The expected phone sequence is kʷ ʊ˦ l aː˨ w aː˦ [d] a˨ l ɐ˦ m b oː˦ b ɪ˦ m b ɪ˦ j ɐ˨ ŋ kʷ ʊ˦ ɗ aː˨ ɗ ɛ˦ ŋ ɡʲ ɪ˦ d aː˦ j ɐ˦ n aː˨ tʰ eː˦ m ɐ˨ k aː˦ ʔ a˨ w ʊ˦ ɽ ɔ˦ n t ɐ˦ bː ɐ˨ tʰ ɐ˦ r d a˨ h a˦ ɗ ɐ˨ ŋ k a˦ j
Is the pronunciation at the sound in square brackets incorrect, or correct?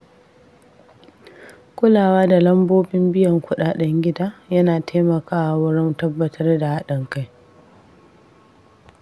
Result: correct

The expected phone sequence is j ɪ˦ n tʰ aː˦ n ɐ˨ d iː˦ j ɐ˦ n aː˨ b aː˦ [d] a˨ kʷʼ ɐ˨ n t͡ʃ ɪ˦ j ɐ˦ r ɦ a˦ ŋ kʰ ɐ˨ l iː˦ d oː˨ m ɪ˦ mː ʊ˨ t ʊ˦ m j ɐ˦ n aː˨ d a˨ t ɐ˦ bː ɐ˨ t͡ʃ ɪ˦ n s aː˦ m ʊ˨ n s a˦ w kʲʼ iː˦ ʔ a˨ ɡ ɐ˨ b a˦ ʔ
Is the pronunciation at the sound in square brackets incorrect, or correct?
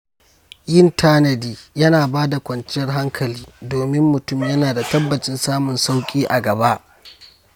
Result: correct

